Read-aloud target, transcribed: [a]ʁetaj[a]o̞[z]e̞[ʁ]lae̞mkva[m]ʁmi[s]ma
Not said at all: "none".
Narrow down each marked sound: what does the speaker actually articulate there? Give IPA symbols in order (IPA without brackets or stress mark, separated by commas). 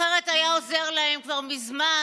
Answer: e, a, z, ʁ, none, z